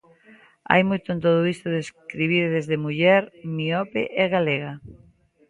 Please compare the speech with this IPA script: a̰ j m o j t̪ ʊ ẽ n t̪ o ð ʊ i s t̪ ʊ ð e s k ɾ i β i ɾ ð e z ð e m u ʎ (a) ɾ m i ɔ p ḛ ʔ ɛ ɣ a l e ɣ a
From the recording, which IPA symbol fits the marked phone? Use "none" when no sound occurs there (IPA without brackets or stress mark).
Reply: ɛ